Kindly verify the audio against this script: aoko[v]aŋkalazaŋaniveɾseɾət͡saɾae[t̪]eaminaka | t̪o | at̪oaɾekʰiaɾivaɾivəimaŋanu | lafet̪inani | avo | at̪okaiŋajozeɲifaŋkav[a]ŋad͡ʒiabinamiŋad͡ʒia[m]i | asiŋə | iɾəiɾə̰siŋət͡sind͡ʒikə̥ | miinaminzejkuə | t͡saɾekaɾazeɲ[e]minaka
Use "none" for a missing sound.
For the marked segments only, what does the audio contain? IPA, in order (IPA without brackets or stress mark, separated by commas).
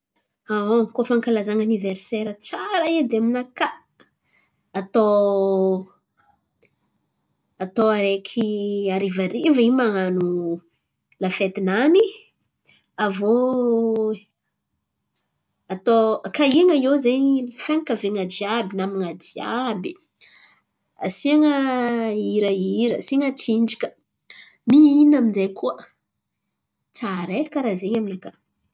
f, d̪, e, b, a